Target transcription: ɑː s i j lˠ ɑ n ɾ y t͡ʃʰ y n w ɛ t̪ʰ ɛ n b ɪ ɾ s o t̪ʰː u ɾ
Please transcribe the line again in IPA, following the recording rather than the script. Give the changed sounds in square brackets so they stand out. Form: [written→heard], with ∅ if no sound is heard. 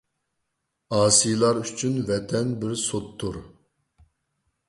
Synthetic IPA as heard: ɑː s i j lˠ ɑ [n→∅] ɾ y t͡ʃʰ y n [w→v] ɛ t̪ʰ ɛ n b ɪ ɾ s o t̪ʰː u ɾ